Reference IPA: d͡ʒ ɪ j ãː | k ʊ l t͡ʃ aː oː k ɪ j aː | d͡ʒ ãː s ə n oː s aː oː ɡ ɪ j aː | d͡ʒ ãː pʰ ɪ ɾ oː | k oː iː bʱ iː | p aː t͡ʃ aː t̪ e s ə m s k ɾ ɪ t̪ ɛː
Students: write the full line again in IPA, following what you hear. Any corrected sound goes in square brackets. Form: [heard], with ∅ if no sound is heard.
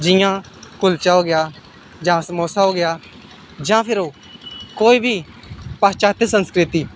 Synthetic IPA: d͡ʒ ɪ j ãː | k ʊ l t͡ʃ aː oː [ɡ] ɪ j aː | d͡ʒ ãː s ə [m] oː s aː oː ɡ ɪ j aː | d͡ʒ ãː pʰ ɪ ɾ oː | k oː iː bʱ iː | p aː t͡ʃ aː t̪ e s ə [n] s k ɾ ɪ t̪ [iː]